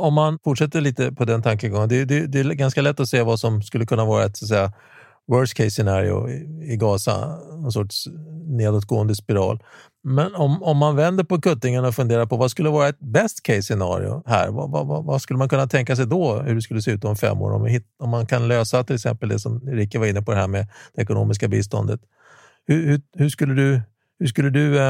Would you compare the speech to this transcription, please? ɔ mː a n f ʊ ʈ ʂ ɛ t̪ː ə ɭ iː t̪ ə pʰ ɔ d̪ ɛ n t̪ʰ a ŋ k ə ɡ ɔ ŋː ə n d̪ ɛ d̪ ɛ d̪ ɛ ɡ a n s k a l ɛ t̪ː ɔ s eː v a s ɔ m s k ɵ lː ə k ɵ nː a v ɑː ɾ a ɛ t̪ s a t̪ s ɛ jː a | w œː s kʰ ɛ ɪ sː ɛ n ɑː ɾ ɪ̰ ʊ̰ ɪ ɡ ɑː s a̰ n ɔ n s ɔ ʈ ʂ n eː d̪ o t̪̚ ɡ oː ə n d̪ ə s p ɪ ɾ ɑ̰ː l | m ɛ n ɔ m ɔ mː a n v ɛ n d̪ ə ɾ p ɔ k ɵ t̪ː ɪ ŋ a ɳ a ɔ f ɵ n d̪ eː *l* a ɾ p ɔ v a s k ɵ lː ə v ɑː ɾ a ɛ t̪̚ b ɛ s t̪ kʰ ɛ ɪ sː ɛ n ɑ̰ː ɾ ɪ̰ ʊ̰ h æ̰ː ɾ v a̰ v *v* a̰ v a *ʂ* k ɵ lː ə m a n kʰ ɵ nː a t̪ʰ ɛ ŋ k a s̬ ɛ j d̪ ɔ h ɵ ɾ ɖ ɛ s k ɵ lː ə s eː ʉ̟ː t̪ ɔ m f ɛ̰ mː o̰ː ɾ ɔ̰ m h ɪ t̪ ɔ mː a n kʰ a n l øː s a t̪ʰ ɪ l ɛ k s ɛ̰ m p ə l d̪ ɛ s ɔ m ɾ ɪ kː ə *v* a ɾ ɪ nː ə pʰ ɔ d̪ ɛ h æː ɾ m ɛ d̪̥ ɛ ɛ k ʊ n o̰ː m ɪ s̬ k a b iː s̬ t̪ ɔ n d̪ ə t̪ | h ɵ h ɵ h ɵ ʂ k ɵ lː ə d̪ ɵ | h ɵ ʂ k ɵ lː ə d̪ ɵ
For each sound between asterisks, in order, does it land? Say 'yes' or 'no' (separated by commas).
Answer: no, yes, no, yes